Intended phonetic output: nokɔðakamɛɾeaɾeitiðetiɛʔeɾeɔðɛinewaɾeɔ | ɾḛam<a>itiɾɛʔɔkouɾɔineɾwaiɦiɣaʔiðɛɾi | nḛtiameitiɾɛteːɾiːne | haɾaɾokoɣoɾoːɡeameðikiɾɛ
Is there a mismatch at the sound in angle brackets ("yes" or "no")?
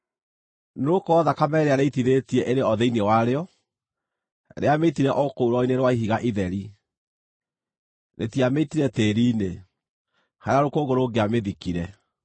yes